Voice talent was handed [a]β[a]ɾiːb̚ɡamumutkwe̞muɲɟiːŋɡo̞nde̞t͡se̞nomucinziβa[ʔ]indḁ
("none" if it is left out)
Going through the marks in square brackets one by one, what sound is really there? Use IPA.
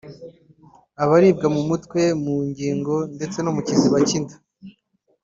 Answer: a, a, c

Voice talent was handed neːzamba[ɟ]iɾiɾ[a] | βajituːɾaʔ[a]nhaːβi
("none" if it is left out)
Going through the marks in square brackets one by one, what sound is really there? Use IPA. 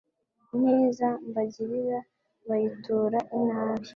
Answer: ɟ, a, i

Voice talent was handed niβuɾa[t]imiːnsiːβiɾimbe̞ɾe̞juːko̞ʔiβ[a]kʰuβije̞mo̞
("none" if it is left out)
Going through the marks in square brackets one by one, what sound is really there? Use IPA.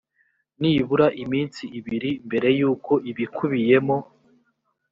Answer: ʔ, i

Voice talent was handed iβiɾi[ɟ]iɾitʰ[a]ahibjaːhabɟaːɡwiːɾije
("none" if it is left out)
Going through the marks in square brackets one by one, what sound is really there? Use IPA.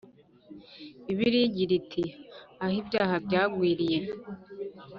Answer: ɟ, i

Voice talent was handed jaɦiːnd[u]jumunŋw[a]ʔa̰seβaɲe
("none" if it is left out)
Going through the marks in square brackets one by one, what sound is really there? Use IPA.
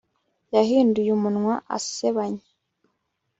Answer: u, a

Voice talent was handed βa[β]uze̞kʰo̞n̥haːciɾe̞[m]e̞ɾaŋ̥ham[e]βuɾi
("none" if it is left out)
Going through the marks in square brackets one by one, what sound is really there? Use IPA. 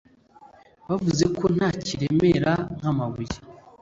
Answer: v, m, a

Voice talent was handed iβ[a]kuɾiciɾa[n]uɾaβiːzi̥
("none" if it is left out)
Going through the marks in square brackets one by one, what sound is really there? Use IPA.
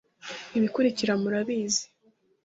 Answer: i, m

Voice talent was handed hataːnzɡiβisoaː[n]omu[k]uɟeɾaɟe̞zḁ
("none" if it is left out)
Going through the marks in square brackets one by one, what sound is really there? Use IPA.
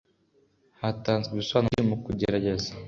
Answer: n, k

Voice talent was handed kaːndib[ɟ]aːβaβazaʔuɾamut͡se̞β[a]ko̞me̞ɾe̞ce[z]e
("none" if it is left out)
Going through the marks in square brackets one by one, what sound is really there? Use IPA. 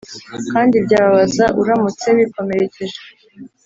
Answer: ɟ, i, ʒ

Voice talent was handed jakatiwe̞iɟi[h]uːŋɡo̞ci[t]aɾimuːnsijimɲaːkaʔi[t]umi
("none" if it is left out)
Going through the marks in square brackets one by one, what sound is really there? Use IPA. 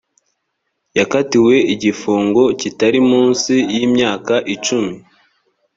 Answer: f, t, t͡ʃ

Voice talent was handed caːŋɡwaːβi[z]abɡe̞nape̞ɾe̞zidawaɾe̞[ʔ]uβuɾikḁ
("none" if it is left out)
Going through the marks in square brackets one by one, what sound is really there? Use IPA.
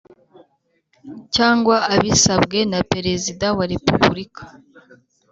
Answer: s, p

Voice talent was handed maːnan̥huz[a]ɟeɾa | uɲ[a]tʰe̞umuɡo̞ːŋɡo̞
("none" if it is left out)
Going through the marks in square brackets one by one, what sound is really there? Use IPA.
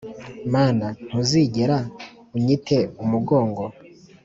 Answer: i, i

